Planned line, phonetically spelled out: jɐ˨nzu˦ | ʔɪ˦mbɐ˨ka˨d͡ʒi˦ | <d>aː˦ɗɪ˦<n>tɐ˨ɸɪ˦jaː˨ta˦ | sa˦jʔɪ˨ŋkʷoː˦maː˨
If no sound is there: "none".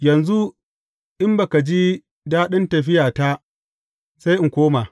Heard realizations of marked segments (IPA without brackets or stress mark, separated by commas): d, n